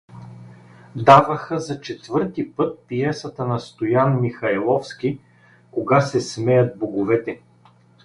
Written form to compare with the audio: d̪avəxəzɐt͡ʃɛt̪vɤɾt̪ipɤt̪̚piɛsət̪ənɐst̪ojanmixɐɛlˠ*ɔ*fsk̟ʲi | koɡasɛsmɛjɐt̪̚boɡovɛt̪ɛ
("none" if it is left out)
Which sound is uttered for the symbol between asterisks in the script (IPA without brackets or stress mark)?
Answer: ɔ